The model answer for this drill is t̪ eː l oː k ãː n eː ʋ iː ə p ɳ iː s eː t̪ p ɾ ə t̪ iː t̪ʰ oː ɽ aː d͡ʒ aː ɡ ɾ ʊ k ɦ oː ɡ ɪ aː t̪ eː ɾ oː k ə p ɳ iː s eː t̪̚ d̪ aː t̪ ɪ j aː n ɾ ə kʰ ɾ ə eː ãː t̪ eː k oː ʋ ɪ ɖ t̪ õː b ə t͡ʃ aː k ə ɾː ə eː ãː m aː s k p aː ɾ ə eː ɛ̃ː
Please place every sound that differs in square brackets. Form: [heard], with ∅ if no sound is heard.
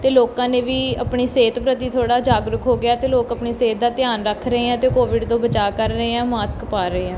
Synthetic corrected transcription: t̪ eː l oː k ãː n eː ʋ iː ə p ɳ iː s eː t̪ p ɾ ə t̪ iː t̪ʰ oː ɽ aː d͡ʒ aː ɡ ɾ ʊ k ɦ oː ɡ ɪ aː t̪ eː [l] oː k ə p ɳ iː s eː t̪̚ d̪ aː t̪ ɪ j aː n ɾ ə kʰ ɾ ə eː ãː t̪ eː k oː ʋ ɪ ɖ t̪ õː b ə t͡ʃ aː k ə ɾː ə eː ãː m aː s k p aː ɾ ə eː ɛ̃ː